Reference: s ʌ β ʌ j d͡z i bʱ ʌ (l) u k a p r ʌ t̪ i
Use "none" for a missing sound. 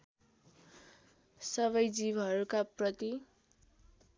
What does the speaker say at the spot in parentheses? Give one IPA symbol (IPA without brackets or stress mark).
ɾ